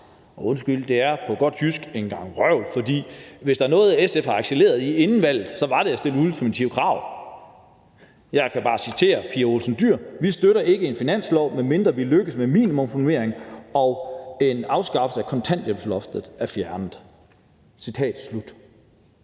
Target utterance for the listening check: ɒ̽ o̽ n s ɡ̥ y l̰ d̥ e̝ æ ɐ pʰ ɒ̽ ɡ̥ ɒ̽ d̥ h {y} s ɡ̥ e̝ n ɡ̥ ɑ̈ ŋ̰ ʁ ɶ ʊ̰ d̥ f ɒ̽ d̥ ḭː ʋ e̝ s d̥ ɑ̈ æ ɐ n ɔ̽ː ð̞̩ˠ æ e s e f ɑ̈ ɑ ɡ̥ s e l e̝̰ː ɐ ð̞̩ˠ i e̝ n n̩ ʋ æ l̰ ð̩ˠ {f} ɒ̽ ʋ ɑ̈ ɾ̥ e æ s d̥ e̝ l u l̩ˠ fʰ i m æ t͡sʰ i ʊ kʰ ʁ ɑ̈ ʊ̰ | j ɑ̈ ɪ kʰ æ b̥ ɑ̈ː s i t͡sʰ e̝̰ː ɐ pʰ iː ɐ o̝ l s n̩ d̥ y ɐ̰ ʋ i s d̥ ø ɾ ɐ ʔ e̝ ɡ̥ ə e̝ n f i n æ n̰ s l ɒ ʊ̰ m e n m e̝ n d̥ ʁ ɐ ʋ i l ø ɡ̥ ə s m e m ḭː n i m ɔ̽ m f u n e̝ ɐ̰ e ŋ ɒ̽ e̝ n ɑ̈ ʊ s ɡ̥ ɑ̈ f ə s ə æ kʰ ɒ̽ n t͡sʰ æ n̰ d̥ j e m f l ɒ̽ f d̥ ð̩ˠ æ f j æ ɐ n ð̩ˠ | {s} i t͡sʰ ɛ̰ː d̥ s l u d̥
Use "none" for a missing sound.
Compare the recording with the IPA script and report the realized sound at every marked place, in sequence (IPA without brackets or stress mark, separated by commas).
y, s, s